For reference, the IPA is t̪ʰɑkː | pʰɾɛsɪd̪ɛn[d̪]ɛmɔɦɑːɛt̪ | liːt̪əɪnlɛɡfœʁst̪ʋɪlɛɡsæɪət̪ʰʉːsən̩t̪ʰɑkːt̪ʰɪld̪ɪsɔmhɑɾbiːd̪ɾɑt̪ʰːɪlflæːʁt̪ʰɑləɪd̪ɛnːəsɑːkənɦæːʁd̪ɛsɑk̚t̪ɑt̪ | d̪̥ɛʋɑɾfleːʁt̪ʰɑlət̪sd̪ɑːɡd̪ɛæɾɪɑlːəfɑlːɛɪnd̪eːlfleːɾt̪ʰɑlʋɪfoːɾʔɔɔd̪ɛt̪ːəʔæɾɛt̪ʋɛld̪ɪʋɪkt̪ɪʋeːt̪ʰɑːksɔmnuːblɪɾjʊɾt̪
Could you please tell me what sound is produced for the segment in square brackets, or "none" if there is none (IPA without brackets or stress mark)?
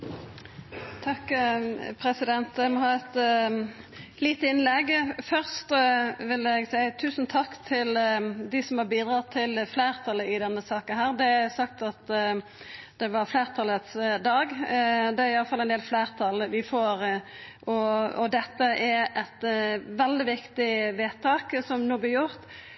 t̪